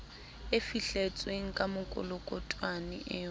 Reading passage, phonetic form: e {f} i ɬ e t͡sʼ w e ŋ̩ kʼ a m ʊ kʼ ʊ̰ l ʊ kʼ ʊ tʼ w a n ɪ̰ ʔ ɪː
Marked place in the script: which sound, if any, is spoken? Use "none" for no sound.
f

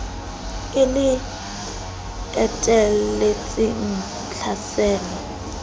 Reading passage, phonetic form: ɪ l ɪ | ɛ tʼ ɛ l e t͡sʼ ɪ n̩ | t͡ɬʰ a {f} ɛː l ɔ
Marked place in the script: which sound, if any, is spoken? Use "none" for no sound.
s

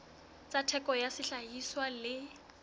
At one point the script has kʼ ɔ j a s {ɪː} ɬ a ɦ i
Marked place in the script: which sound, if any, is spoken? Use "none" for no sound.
ɪ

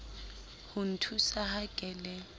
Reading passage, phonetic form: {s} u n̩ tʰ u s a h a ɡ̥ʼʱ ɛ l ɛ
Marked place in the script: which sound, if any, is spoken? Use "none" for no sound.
h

